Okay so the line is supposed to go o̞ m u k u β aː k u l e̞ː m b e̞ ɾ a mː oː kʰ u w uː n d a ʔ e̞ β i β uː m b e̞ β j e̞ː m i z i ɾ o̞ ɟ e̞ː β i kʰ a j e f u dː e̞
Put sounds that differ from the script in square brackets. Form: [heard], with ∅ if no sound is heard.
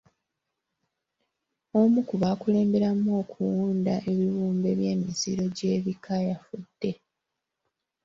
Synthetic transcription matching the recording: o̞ m u k u β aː k u l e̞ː m b e̞ ɾ a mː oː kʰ u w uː n d a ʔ e̞ β i β uː m b e̞ β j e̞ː m i z i ɾ o̞ ɟ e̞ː β i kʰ a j [a] f u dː e̞

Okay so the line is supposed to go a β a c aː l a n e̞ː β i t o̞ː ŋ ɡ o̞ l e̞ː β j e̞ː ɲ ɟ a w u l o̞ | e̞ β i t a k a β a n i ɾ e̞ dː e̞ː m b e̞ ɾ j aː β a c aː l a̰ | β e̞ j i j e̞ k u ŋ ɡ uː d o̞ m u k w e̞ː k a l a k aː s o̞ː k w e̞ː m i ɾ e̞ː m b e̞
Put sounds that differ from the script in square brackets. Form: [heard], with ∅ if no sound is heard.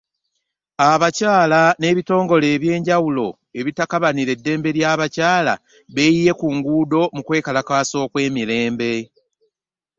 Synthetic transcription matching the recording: a β a c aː l a n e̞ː β i t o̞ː ŋ ɡ o̞ l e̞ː β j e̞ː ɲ ɟ a w u l o̞ | e̞ β i t a k a β a n i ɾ e̞ dː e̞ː m b e̞ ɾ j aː β a c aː l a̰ | β e̞ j i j e̞ k u ŋ ɡ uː d o̞ m u k w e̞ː k a l a k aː s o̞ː k w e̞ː m i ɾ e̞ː m b e̞

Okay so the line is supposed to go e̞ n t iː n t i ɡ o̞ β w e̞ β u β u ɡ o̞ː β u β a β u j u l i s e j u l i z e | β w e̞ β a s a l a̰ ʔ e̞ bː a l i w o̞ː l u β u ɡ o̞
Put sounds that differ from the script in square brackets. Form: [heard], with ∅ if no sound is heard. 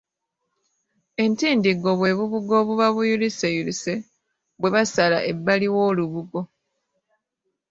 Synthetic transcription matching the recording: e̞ n t iː n [d] i ɡ o̞ β w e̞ β u β u ɡ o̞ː β u β a β u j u l i s e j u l i [s] e | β w e̞ β a s a l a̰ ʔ e̞ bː a l i w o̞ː l u β u ɡ o̞

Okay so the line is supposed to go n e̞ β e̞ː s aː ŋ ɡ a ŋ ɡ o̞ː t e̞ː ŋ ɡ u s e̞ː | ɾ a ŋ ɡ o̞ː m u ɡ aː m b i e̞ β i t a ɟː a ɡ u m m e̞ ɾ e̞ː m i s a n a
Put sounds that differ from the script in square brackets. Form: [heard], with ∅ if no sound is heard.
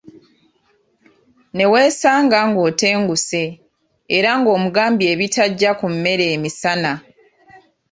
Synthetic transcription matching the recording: n e̞ [w] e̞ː s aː ŋ ɡ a ŋ ɡ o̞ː t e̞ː ŋ ɡ u s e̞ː | ɾ a ŋ ɡ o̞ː m u ɡ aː m b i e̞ β i t a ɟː a [k] u m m e̞ ɾ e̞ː m i s a n a

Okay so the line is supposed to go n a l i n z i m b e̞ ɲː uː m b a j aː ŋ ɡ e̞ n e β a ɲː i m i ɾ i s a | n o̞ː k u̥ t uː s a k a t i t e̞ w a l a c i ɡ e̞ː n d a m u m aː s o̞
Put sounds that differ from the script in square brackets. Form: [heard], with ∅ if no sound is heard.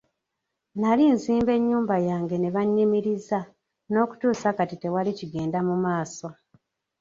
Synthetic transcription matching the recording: n a l i n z [iː] m b e̞ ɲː uː m b a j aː ŋ ɡ e̞ n e β a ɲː i m i ɾ i [z] a | n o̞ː k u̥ t uː s a k a t i t e̞ w a l [i] c i ɡ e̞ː n d a m u m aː s o̞

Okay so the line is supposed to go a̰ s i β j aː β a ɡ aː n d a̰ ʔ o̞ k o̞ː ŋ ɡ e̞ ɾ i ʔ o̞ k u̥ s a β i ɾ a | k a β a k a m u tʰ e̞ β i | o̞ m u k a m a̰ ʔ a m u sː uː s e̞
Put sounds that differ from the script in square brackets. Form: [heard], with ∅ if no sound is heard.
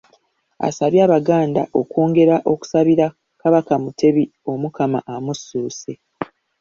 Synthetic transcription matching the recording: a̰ s [a] β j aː β a ɡ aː n d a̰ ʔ o̞ k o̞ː ŋ ɡ e̞ ɾ [a] ʔ o̞ k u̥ s a β i ɾ a | k a β a k a m u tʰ e̞ β i | o̞ m u k a m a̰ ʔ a m u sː uː s e̞

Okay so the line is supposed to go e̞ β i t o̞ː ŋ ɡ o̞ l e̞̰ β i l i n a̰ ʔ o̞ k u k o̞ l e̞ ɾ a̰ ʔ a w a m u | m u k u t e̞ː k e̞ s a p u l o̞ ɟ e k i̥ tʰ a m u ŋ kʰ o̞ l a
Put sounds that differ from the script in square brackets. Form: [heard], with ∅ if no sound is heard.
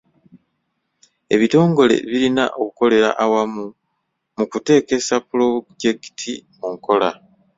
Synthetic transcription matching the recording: e̞ β i t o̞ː ŋ ɡ o̞ l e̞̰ β i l i n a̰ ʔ o̞ k u k o̞ l e̞ ɾ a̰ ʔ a w a m u | m u k u t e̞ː k e̞ s a p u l o̞ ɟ e k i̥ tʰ [i] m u ŋ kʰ o̞ l a

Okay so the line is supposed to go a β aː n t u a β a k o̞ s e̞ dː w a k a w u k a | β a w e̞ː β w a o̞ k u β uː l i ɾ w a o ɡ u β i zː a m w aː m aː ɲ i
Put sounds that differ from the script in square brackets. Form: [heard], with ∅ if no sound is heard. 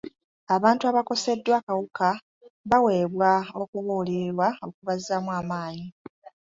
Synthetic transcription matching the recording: a β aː n t u a β a k o̞ s e̞ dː w a k a w u k a | β a w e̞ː β w a o̞ k u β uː l i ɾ w a o [k] u β [a] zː a m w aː m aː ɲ i

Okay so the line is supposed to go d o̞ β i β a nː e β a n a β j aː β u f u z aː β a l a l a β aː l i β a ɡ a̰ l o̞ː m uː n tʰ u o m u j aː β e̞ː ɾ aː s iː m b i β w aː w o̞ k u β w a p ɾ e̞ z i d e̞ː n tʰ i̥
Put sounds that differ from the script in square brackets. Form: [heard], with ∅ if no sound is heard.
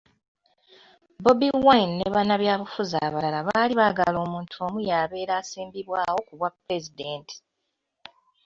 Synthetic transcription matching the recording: [b] o̞ [b] i [w] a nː e β a n a β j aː β u f u z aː β a l a l a β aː l i β a ɡ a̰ l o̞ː m uː n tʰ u o m u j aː β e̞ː ɾ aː s iː m b i β w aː w o̞ k u β w a p ɾ e̞ z i d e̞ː n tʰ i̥

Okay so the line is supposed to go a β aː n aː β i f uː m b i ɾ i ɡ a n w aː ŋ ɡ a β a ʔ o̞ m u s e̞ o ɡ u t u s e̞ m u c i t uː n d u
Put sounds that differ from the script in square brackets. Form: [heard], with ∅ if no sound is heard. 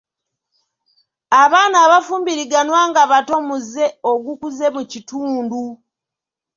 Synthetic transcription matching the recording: a β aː n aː β [a] f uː m b i ɾ i ɡ a n w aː ŋ ɡ a β a [t] o̞ m u [z] e̞ o ɡ u [k] u [z] e̞ m u c i t uː n d u

